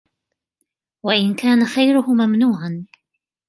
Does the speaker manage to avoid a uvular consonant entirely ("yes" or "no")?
yes